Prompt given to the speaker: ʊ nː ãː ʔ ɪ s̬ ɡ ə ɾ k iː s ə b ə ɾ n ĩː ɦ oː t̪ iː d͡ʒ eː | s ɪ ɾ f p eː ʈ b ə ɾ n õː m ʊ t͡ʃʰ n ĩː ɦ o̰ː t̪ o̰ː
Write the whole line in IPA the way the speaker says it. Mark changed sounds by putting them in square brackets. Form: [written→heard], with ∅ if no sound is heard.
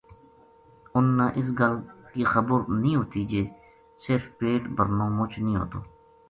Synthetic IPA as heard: ʊ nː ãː ʔ ɪ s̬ ɡ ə [ɾ→l] k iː [s→x] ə b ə ɾ n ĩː ɦ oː t̪ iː d͡ʒ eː | s ɪ ɾ f p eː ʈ b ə ɾ n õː m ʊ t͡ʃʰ n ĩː ɦ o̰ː t̪ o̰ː